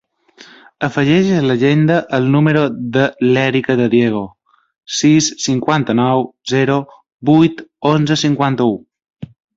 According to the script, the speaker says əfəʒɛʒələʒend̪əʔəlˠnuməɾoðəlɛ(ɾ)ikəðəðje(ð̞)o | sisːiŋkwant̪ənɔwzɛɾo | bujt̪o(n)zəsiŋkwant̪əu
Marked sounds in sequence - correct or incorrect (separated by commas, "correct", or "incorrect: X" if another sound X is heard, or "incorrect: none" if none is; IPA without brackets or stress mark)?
correct, incorrect: ɣ̞, correct